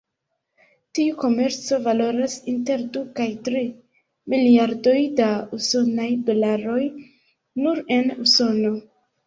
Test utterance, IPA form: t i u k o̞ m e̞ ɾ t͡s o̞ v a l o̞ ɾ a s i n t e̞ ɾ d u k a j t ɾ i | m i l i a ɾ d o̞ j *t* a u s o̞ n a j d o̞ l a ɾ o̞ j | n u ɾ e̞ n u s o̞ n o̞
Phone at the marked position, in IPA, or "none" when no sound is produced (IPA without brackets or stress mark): d